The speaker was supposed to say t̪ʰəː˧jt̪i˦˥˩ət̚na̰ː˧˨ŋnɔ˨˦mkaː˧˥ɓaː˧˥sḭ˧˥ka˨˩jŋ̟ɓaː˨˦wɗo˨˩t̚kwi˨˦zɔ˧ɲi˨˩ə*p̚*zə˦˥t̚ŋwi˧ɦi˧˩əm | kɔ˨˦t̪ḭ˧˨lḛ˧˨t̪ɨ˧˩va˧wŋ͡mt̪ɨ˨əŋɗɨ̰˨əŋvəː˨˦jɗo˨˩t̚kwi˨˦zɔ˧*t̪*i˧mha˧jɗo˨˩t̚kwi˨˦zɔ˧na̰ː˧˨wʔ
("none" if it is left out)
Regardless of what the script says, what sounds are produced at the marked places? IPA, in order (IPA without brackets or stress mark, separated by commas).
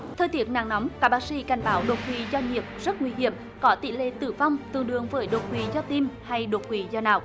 p̚, t̪